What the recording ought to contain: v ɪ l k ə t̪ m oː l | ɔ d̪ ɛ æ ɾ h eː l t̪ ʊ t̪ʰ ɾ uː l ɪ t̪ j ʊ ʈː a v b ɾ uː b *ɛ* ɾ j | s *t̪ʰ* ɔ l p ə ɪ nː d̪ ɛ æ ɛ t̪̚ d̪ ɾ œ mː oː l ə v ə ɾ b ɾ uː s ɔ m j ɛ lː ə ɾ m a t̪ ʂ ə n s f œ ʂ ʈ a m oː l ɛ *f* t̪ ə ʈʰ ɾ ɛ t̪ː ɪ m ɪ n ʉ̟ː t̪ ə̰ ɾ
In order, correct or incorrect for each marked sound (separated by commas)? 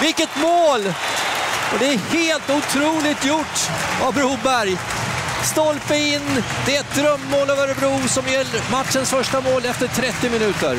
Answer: incorrect, incorrect, correct